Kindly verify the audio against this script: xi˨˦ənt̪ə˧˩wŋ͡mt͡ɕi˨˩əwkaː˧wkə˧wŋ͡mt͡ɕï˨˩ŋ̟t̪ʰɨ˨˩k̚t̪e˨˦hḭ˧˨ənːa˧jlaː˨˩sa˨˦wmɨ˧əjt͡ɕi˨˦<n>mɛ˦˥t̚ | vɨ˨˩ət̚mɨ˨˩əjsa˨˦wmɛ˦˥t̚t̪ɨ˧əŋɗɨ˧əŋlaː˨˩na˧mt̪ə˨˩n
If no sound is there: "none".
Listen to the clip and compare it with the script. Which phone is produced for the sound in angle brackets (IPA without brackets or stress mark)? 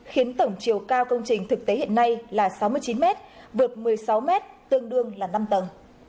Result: n